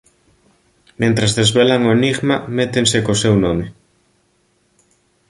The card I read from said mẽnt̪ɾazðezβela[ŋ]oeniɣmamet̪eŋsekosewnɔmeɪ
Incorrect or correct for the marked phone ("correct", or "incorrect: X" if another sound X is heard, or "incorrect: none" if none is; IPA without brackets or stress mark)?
correct